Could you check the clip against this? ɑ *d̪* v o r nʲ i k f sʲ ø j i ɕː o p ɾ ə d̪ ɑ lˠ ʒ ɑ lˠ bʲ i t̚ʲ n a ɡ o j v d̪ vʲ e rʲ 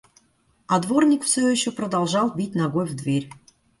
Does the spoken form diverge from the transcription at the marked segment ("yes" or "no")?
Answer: no